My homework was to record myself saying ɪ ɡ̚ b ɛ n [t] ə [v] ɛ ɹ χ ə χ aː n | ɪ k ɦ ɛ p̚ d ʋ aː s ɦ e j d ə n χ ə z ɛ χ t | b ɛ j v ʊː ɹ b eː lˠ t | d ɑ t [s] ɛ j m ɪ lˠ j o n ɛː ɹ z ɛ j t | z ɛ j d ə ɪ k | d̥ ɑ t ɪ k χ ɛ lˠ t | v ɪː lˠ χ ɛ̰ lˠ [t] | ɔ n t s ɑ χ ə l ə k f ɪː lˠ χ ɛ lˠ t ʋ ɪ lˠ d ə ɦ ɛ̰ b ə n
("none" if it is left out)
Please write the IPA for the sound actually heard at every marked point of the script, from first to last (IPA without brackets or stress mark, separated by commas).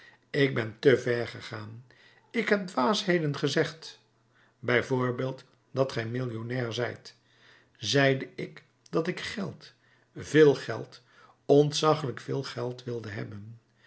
t, v, χ, t